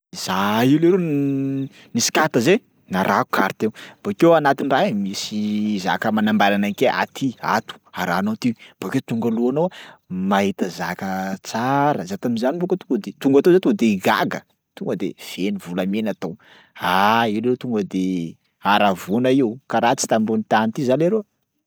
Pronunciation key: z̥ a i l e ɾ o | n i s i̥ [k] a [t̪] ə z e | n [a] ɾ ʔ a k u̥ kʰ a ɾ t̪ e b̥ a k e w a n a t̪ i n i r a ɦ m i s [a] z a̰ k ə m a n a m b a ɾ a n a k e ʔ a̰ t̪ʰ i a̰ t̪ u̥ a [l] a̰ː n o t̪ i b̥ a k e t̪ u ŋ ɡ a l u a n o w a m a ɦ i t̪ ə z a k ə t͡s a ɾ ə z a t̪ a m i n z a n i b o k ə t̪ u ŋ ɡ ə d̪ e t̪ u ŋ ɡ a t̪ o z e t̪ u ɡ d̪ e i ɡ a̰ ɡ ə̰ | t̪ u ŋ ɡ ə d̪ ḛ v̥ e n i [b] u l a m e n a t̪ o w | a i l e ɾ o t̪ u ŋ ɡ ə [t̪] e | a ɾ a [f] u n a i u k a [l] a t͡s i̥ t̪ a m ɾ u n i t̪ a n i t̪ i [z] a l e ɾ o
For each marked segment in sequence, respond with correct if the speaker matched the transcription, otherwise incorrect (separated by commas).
correct, correct, correct, incorrect, incorrect, incorrect, incorrect, incorrect, incorrect, correct